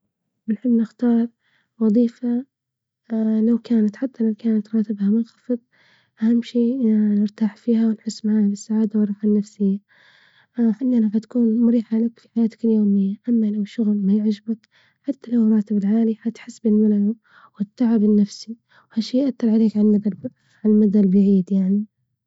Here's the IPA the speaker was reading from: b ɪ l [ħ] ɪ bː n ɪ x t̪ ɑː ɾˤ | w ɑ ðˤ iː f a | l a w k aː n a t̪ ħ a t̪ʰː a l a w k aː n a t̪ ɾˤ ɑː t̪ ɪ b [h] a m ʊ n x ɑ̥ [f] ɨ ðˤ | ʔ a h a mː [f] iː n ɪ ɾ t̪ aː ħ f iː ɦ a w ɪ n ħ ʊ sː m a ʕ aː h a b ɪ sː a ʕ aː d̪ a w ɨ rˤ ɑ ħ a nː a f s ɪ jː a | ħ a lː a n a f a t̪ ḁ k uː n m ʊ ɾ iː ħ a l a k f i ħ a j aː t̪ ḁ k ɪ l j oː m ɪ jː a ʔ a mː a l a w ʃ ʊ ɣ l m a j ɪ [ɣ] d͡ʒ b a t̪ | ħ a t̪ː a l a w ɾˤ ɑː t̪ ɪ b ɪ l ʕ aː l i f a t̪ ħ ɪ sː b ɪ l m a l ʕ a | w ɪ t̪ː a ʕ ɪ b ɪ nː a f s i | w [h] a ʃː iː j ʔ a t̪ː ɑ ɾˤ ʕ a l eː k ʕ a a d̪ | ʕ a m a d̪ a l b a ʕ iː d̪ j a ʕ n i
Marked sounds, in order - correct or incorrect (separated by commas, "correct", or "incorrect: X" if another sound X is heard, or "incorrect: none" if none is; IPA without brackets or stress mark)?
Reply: correct, correct, correct, incorrect: ʃ, incorrect: ʕ, correct